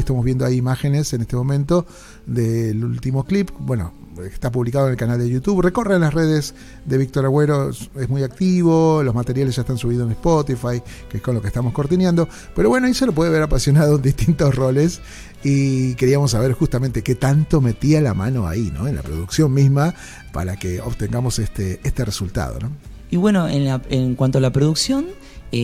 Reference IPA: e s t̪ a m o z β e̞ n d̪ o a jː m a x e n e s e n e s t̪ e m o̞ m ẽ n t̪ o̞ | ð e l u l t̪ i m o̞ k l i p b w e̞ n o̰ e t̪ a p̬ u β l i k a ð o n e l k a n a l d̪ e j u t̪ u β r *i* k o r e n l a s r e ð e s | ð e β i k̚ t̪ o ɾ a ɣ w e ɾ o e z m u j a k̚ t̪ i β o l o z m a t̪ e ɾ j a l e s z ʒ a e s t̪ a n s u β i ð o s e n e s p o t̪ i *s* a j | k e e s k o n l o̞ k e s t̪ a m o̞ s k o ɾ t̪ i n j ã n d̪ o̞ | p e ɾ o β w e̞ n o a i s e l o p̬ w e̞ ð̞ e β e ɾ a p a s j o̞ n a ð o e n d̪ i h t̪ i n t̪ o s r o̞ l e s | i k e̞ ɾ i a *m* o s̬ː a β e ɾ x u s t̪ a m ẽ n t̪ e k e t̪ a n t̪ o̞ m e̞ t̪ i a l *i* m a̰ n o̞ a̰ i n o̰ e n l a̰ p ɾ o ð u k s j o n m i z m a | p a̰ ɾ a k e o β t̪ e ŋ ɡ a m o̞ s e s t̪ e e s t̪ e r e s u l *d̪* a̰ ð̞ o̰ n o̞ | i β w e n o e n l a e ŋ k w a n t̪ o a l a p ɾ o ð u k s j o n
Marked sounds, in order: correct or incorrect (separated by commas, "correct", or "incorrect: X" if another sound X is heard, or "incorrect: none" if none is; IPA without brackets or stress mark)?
incorrect: e, incorrect: f, correct, incorrect: a, incorrect: t̪